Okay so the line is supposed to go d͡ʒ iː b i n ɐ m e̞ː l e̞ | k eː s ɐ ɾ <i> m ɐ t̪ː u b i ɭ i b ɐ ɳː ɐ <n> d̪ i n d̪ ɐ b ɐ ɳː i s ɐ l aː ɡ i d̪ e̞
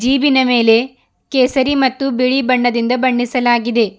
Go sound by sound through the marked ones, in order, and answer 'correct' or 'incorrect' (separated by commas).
correct, incorrect